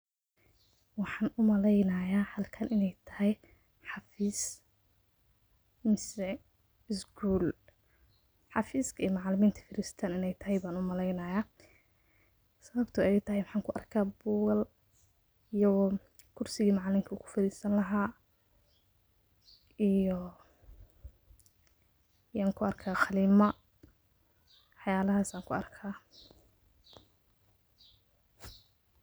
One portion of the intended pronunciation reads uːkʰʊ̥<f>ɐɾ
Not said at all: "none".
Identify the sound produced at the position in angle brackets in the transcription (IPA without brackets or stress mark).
f